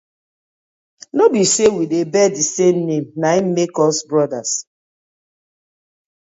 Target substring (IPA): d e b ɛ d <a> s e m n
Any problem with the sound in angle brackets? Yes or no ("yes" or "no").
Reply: yes